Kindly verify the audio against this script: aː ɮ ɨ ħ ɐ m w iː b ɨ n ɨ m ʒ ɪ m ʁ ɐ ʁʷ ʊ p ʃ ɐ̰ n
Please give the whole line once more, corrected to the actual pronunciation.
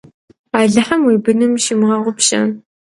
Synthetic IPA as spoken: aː ɮ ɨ ħ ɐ m w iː b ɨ n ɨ m ʃ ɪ m ʁ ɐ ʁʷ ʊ p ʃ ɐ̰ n